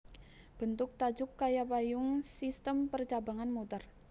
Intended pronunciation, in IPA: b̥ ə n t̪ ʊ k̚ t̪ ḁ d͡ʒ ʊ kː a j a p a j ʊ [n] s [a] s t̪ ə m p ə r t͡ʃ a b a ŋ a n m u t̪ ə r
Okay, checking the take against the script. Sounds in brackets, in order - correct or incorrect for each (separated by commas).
incorrect, incorrect